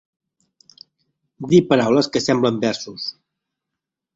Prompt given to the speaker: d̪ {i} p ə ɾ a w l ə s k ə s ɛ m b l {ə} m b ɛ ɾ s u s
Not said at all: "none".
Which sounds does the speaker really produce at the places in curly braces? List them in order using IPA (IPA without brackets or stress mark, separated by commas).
i, ə